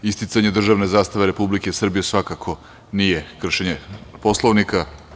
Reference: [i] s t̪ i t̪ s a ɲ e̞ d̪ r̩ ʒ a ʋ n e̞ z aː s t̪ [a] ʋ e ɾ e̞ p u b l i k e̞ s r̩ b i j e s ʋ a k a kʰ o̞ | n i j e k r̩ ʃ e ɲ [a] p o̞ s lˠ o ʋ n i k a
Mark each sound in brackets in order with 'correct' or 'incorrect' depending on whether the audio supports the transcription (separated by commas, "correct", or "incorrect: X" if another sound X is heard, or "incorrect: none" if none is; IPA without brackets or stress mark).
correct, correct, incorrect: e